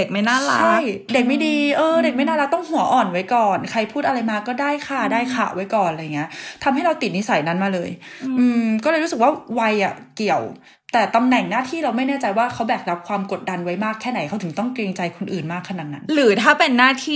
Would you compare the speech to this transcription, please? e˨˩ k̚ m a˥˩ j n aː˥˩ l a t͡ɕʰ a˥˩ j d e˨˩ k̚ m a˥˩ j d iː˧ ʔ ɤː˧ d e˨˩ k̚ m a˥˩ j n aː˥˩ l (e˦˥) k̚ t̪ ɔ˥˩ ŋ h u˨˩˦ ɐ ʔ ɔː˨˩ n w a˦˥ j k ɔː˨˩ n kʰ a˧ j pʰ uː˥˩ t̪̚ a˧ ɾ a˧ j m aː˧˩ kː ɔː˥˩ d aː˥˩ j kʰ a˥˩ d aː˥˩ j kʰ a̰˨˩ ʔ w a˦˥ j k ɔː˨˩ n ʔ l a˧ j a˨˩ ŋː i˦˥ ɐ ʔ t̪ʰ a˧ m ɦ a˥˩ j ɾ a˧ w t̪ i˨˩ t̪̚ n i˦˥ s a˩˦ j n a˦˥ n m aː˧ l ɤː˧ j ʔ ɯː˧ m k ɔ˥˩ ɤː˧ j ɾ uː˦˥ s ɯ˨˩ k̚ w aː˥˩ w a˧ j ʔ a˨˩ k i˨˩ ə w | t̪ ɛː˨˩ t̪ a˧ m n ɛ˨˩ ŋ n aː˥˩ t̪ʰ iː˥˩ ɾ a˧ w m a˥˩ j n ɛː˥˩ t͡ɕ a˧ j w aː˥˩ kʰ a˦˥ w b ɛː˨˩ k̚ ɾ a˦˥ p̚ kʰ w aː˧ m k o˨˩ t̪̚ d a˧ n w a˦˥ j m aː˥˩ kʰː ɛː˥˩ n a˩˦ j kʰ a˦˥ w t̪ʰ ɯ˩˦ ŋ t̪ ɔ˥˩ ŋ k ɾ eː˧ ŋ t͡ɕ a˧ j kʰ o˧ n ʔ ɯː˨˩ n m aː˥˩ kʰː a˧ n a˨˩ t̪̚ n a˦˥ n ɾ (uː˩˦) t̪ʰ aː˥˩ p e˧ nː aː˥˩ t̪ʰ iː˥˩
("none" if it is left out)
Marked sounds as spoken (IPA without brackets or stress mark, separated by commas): a˦˥, ɯː˩˦